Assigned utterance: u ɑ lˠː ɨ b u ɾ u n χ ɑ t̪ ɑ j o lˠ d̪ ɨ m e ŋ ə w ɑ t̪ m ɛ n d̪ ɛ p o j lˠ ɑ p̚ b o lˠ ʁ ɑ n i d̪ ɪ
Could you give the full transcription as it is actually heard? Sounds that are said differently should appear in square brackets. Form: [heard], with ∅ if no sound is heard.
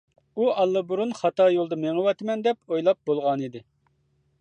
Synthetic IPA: u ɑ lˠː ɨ b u ɾ u n χ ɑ t̪ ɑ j o lˠ d̪ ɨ m e ŋ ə w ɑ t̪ m ɛ n d̪ ɛ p o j lˠ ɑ p̚ b o lˠ ʁ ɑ n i d̪ ɪ